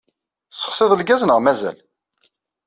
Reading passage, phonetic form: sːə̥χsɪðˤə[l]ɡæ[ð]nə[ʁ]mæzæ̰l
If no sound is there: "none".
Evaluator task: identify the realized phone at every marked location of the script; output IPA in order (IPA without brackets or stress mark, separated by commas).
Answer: l, z, ʁ